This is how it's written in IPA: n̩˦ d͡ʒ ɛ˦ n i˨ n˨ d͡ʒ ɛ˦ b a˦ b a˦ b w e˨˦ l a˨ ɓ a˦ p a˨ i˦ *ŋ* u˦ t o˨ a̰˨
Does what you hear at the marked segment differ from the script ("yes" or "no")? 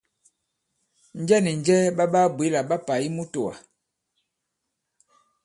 yes